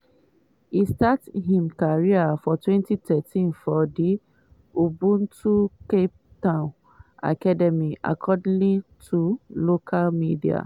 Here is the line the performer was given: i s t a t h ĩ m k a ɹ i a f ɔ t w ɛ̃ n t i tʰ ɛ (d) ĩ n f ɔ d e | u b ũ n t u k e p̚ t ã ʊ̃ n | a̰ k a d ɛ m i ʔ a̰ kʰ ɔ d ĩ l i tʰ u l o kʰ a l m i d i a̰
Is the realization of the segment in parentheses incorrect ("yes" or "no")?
yes